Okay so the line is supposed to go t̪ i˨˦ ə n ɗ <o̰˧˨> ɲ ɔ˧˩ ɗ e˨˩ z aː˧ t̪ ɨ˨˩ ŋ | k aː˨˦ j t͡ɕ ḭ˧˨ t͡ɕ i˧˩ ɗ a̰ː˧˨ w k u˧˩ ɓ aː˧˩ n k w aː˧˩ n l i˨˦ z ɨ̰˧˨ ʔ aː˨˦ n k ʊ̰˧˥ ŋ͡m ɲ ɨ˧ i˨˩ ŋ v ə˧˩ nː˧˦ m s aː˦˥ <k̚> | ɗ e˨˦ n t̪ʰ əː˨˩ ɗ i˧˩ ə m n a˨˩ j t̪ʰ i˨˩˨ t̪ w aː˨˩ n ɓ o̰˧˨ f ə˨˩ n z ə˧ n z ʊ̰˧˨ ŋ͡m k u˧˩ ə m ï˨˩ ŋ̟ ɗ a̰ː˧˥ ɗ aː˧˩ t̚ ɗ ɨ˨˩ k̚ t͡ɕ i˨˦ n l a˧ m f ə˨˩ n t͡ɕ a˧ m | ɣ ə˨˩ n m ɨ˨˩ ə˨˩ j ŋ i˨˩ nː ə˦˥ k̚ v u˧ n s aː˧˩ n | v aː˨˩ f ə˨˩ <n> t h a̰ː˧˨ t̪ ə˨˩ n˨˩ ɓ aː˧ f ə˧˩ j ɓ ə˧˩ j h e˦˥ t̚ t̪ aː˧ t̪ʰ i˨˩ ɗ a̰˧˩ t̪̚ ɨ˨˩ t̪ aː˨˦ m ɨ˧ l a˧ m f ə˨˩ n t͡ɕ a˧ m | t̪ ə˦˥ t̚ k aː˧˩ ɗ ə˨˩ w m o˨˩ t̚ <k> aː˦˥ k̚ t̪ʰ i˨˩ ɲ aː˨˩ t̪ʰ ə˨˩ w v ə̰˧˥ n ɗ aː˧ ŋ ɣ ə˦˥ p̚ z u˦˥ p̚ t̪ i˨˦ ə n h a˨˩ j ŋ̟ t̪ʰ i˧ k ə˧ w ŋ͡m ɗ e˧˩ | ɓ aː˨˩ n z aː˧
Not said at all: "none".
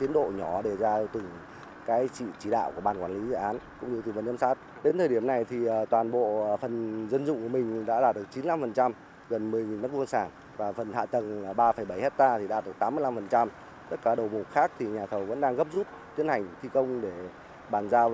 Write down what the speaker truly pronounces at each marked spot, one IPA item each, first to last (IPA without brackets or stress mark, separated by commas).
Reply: o̰˧˨, t̚, n, x